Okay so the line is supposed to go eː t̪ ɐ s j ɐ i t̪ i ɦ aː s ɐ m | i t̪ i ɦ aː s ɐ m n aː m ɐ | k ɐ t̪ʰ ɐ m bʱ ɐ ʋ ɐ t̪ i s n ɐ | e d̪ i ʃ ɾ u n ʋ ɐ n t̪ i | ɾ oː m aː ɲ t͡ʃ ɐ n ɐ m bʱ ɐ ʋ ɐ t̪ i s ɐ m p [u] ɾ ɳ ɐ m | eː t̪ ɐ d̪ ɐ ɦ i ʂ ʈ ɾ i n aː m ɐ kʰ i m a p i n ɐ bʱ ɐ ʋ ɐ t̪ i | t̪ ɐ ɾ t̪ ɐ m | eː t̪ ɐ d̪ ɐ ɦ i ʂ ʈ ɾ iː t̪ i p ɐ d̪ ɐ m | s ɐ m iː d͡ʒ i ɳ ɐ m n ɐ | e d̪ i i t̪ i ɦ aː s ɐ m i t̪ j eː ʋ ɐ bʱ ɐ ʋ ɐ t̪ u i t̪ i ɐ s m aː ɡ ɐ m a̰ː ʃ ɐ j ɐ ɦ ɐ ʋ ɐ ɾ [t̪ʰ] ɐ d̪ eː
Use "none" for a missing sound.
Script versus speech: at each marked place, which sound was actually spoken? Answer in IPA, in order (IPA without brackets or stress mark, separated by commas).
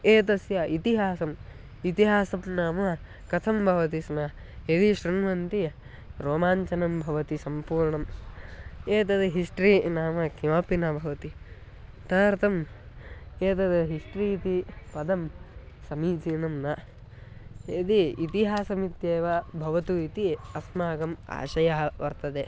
uː, t̪